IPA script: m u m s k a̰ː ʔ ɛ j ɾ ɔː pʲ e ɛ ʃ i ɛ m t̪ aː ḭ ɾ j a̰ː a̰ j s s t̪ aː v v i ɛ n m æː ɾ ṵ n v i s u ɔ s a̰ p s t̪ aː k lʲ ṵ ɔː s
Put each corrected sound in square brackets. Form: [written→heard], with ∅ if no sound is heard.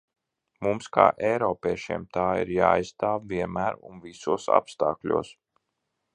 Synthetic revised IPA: m u m s k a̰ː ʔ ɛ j ɾ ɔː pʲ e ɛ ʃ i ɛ m t̪ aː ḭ ɾ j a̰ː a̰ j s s t̪ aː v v i ɛ n m æː ɾ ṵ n v i s u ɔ s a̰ p s t̪ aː k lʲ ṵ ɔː s

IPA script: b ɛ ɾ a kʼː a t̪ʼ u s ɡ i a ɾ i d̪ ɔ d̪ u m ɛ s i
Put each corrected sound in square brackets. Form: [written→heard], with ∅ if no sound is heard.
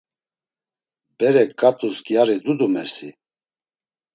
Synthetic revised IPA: b ɛ ɾ [a→ɛ] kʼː a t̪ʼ u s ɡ [i→j] a ɾ i d̪ [ɔ→u] d̪ u m ɛ s i

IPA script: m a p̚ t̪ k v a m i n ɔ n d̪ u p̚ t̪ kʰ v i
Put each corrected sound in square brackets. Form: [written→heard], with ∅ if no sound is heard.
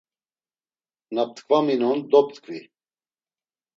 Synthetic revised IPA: [m→n] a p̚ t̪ k v a m i n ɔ n d̪ [u→ɔ] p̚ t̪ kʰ v i

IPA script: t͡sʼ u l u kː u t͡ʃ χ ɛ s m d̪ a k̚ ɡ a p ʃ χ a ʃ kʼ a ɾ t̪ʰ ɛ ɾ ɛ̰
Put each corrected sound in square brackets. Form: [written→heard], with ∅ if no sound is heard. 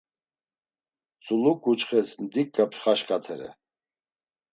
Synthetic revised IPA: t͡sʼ u l u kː u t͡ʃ χ ɛ s m d̪ [a→i] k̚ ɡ a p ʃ χ a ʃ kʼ a [ɾ→∅] t̪ʰ ɛ ɾ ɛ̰

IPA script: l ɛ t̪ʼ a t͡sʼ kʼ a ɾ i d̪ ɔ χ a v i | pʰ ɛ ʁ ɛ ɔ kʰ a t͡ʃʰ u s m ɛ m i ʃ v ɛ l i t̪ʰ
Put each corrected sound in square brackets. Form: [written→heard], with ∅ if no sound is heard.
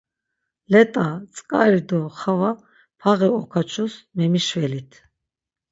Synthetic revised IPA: l ɛ t̪ʼ a t͡sʼ kʼ a ɾ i d̪ ɔ χ a v [i→a] | pʰ [ɛ→a] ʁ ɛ ɔ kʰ a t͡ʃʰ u s m ɛ m i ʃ v ɛ l i t̪ʰ

